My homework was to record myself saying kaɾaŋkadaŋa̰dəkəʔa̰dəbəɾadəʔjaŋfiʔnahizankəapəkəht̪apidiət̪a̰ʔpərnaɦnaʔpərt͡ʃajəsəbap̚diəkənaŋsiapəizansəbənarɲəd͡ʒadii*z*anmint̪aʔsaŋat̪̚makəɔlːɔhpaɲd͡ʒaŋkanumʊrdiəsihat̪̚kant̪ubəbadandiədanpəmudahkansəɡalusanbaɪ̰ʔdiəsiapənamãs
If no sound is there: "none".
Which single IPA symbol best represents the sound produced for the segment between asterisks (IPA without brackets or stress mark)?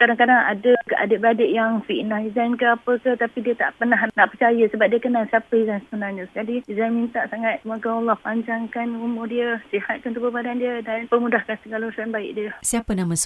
z